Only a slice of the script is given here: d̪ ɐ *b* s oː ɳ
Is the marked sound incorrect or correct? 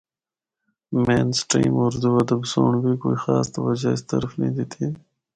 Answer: correct